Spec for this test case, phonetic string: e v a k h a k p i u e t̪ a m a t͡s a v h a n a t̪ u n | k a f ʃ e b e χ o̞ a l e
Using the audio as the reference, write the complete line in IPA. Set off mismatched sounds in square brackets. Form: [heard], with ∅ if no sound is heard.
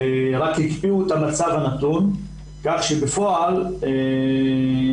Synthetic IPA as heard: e [ʁ] a k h [i] k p i u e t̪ a m a t͡s a v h a n a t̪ u n | k a [χ] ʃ e b e [f] o̞ a l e